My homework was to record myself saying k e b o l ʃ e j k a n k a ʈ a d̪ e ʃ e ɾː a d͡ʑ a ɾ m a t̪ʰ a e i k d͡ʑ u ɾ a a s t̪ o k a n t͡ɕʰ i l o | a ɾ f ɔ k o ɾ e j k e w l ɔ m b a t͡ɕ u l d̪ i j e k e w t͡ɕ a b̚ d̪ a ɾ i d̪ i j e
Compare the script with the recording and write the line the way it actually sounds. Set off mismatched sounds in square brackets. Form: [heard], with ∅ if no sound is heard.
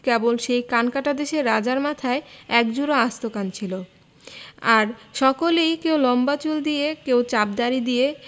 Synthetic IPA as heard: k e b o l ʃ e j k a n k a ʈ a d̪ e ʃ e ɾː a d͡ʑ a ɾ m a t̪ʰ a e [ɛ] k d͡ʑ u ɾ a a s t̪ o k a n t͡ɕʰ i l o | a ɾ [ʃ] ɔ k o [l] e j k e w l ɔ m b a t͡ɕ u l d̪ i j e k e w t͡ɕ a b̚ d̪ a ɾ i d̪ i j e